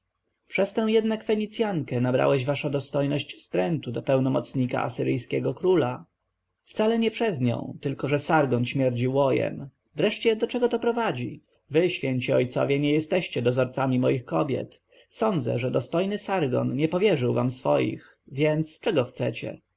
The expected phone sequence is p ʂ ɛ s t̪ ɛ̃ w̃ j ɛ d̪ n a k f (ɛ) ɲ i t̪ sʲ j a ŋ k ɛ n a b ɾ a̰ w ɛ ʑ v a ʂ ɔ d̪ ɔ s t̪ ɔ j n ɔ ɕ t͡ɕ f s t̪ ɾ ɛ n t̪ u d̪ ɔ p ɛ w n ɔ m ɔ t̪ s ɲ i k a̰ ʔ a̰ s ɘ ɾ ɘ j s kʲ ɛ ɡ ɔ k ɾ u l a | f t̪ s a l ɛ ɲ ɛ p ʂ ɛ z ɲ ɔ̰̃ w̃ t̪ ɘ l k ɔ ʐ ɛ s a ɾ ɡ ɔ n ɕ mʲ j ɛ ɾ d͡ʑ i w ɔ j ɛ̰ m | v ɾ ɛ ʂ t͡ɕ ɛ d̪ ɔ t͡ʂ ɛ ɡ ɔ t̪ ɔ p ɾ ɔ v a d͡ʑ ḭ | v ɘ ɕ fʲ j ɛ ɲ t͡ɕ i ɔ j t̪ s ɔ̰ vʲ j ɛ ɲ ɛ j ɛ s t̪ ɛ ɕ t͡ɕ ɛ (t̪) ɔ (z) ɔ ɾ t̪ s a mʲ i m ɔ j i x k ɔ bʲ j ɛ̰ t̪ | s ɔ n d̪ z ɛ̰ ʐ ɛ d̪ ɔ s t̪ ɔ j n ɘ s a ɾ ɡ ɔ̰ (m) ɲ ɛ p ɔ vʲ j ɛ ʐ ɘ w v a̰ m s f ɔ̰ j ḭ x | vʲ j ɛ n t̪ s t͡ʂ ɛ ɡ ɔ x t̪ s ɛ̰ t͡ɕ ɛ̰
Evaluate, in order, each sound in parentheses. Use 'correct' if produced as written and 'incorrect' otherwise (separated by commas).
correct, incorrect, correct, incorrect